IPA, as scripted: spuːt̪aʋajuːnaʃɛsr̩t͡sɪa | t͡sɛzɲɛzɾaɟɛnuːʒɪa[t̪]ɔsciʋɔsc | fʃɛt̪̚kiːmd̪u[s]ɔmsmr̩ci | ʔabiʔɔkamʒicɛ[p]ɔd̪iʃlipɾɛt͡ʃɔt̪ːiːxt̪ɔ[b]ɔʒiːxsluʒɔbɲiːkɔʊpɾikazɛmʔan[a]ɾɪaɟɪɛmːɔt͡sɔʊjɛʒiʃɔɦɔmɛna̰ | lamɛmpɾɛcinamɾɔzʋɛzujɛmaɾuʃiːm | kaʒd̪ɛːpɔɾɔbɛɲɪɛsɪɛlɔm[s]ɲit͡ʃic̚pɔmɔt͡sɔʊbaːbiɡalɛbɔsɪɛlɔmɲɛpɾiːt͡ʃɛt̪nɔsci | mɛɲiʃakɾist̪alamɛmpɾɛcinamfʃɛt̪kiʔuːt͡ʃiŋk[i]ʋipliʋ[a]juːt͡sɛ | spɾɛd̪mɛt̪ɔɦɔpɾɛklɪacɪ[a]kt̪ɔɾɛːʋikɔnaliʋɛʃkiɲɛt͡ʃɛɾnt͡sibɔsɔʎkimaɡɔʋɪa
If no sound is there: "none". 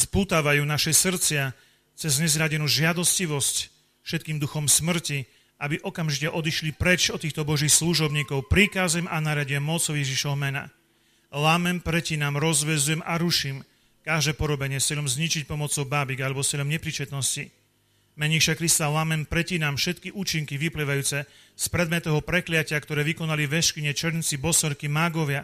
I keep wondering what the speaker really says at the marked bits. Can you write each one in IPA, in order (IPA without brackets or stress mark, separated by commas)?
d̪, x, ʔ, b, a, z, i, a, a